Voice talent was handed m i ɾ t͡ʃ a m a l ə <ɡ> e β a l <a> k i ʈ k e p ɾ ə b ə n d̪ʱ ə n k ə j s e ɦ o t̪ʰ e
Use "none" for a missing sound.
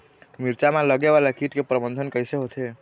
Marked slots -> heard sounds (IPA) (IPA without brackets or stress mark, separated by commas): ɡ, a